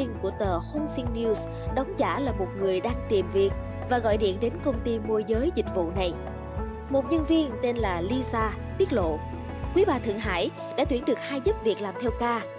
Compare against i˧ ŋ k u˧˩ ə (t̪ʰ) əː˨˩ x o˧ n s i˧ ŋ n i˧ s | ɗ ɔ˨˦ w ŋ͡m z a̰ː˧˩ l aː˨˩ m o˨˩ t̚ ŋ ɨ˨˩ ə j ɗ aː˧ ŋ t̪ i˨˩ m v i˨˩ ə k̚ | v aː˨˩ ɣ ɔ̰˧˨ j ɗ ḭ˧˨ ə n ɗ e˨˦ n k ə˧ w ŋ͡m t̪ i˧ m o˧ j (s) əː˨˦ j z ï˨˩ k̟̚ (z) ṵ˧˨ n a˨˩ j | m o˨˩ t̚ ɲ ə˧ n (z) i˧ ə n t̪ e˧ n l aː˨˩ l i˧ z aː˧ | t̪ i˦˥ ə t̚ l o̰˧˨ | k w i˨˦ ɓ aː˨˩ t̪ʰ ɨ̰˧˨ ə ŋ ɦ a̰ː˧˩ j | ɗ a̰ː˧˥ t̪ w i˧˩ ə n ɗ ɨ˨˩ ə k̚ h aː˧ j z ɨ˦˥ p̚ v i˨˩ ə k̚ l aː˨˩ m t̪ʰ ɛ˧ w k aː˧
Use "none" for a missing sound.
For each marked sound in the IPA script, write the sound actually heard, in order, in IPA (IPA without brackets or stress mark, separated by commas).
t̪, z, v, v